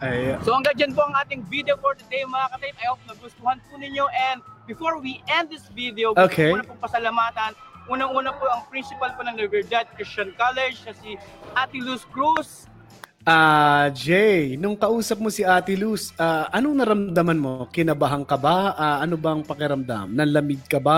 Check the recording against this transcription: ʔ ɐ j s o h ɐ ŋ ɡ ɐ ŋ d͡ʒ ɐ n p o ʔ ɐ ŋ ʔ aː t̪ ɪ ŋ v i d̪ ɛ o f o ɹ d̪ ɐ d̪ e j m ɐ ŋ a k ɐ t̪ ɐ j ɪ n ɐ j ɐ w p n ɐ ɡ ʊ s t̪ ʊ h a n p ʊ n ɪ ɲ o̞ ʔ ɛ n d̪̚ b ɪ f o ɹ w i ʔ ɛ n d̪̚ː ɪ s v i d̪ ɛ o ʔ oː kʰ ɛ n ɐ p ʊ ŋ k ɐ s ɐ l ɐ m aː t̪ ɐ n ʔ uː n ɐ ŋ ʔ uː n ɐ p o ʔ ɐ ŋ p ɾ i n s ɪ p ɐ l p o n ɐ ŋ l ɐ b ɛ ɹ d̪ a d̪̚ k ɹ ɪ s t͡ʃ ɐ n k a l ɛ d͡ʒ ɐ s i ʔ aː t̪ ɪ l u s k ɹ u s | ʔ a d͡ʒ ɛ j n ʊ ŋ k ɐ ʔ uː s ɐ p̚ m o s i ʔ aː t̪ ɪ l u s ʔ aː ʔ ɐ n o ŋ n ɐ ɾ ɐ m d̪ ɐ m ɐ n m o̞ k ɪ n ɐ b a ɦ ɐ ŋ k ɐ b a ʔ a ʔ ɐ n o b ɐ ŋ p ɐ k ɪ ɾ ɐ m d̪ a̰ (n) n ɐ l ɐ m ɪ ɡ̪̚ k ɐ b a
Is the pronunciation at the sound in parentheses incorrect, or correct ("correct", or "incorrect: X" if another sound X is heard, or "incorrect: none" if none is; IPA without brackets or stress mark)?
incorrect: m